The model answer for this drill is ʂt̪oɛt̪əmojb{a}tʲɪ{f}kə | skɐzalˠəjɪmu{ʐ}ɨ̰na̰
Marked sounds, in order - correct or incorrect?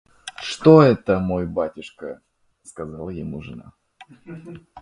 correct, incorrect: ʂ, correct

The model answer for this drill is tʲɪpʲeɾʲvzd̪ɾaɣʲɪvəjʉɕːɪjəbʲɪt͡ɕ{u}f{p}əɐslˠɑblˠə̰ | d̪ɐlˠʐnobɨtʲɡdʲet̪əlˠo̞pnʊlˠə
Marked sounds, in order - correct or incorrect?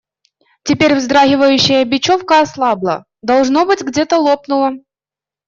incorrect: o, incorrect: k

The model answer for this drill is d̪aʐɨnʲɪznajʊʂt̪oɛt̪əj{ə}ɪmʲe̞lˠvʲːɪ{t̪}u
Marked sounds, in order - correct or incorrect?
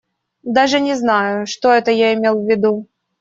incorrect: a, incorrect: d̪

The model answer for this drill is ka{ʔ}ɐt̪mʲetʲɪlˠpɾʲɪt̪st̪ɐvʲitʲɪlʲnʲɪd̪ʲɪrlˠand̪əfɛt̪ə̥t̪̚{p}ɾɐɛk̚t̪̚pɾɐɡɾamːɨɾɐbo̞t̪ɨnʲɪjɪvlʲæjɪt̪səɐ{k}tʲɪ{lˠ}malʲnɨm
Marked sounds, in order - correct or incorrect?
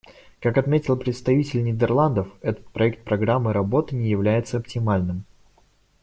incorrect: k, correct, incorrect: p, incorrect: none

